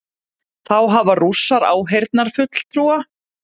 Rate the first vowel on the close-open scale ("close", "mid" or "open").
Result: open